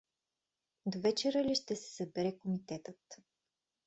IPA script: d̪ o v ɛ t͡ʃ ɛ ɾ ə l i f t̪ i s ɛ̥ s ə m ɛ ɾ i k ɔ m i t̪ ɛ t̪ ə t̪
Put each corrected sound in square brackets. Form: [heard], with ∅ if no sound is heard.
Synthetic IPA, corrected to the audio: d̪ o v ɛ t͡ʃ ɛ ɾ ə l i [ʃ] t̪ [ɛ] s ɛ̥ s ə [b] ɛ ɾ [ɛ] k [o] m i t̪ ɛ t̪ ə t̪